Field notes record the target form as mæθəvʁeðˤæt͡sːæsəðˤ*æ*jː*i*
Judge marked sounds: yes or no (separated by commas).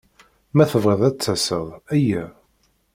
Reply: yes, no